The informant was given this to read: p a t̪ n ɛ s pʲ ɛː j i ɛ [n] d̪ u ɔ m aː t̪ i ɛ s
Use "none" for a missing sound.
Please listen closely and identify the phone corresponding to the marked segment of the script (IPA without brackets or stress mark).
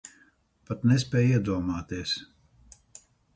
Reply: none